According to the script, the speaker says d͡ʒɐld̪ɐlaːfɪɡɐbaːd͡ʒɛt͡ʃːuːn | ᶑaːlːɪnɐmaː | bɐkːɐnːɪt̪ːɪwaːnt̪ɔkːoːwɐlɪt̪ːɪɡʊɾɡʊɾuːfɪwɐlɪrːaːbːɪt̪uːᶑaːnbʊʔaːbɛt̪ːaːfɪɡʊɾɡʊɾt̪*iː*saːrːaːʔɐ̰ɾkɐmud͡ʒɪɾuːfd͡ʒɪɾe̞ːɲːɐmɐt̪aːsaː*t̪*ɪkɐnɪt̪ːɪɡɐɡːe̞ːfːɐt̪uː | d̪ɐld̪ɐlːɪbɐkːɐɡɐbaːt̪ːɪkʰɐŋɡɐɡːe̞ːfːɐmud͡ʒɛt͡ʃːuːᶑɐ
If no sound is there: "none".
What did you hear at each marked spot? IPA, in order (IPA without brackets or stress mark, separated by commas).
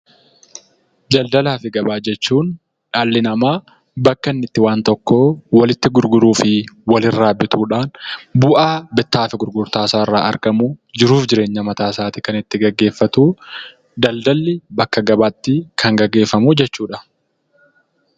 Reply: aː, t̪